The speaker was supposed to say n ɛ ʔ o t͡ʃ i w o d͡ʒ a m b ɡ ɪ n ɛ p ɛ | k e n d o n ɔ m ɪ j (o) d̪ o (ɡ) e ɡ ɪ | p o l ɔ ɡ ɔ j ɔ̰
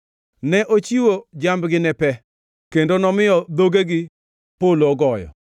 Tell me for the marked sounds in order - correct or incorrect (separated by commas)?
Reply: incorrect, correct